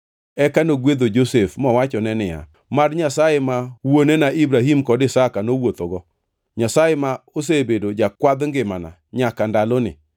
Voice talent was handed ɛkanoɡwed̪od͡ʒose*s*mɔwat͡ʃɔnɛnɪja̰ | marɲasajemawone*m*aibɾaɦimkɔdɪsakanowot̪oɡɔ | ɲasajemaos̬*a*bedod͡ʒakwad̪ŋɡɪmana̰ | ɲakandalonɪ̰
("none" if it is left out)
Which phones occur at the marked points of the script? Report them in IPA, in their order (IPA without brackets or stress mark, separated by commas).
f, n, e